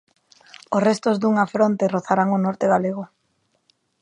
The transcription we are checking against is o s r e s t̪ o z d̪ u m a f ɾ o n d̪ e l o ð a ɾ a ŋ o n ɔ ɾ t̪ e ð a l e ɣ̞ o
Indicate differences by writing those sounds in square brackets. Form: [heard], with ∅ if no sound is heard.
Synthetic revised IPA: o s r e s t̪ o z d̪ u [ŋ] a f ɾ o n [t̪] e [r] o [θ] a ɾ a ŋ o n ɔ ɾ t̪ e [ɣ] a l e ɣ̞ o

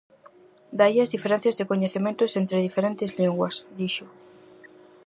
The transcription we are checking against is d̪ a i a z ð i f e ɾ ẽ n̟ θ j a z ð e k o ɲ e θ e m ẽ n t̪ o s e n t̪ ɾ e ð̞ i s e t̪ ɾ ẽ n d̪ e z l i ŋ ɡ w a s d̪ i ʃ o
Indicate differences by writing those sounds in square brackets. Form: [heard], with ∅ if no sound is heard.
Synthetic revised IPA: d̪ a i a z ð i f e ɾ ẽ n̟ θ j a z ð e k o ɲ e θ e m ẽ n t̪ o s e n t̪ ɾ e ð̞ i [f] e [∅] ɾ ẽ n [t̪] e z l i ŋ ɡ w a s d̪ i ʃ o

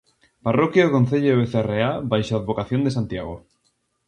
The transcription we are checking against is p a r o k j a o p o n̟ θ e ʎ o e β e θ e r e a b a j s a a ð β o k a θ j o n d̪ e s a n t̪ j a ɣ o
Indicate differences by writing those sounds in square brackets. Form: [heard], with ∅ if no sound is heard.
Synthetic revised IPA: p a r o k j a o [k] o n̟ θ e ʎ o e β e θ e r e a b a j [ʃ] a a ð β o k a θ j o n d̪ e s a n t̪ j a ɣ o

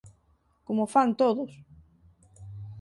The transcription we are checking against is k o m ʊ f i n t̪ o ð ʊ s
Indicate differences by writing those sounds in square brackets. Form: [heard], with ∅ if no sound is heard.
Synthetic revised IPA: k o m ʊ f [a] n t̪ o ð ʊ s

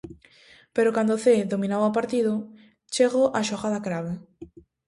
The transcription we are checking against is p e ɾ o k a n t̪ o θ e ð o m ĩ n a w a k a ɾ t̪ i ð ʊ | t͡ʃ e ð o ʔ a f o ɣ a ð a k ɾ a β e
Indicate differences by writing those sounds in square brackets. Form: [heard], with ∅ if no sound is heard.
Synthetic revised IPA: p e ɾ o k a n [d̪] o θ e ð o m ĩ n a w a [p] a ɾ t̪ i ð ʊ | t͡ʃ e [ɣ] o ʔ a [ʃ] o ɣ a ð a k ɾ a β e

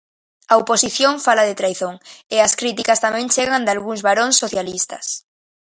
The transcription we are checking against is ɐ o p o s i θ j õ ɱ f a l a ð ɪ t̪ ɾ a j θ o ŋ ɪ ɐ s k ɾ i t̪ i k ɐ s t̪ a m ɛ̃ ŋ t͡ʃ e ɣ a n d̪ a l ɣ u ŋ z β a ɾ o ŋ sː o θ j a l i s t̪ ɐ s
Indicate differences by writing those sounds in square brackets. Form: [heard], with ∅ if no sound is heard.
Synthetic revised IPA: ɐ o p o s i θ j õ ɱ f a l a ð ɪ t̪ ɾ a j θ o ŋ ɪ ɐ s k ɾ i t̪ i k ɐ s t̪ a m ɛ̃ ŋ t͡ʃ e ɣ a n d̪ a l ɣ u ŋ z β a ɾ o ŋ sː o θ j a l i s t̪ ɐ s

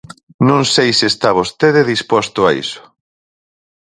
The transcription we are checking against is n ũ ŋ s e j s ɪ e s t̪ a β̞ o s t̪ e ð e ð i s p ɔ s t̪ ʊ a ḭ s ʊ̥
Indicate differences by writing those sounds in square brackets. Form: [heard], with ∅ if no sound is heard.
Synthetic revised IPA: n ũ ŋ s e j s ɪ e s t̪ a β̞ o s t̪ e ð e ð i s p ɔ s t̪ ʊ a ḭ s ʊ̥

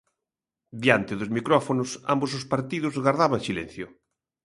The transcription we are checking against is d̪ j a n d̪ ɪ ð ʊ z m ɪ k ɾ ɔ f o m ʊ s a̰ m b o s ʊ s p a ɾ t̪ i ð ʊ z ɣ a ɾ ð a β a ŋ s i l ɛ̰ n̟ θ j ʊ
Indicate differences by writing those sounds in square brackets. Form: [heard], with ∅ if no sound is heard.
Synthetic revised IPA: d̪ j a n [t̪] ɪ ð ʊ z m [i] k ɾ ɔ f o [n] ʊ s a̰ m b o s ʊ s p a ɾ t̪ i ð ʊ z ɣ a ɾ ð a β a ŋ s i l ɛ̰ n̟ θ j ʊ

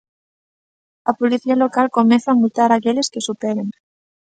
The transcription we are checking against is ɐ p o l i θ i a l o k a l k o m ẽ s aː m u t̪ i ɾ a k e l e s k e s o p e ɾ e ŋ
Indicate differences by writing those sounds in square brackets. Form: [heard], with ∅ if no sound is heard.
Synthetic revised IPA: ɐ p o l i θ i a l o k a l k o m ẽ [θ] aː m u t̪ [a] ɾ a k e l e s k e s [u] p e ɾ e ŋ

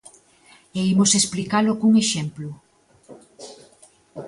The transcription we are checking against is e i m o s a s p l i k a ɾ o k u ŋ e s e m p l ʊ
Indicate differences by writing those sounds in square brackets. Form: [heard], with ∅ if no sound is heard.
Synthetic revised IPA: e i m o s [e] s p l i k a [l] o k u ŋ e [ʃ] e m p l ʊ

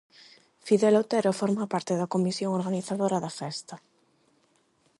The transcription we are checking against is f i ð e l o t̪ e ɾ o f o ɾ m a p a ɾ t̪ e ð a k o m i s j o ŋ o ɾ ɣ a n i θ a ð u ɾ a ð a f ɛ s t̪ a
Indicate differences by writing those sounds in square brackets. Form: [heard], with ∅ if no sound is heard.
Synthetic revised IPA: f i ð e l o t̪ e ɾ o f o ɾ m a p a ɾ t̪ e ð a k o m i s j o ŋ o ɾ ɣ a n i θ a ð [o] ɾ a ð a f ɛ s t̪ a

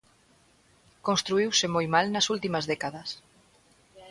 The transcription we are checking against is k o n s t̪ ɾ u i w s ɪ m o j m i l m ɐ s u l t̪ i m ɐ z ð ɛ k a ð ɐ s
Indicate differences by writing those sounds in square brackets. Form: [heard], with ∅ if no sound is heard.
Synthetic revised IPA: k o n s t̪ ɾ u i w s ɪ m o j m [a] l [n] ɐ s u l t̪ i m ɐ z ð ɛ k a ð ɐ s

